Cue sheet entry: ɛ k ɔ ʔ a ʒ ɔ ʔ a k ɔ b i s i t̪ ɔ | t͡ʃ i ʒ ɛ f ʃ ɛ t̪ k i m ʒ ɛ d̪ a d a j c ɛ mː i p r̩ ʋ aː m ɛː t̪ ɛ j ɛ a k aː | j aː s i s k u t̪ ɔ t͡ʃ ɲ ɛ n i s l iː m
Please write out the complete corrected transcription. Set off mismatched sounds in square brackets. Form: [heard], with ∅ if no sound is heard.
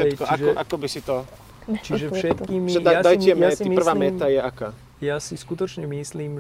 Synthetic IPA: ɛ k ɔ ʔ a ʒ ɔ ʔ a k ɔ b i s i t̪ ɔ | t͡ʃ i ʒ ɛ f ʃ ɛ t̪ k i m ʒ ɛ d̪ a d a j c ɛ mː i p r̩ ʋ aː m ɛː t̪ [a] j ɛ a k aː | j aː s i s k u t̪ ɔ t͡ʃ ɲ ɛ [m] i s l iː m